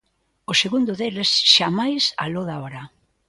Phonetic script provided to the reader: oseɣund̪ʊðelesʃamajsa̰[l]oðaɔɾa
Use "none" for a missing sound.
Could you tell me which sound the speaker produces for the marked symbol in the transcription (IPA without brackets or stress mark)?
l